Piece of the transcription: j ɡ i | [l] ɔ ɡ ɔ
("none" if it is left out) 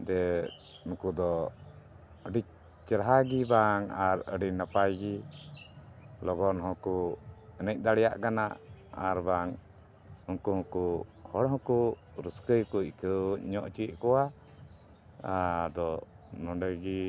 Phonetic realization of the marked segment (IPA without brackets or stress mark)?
l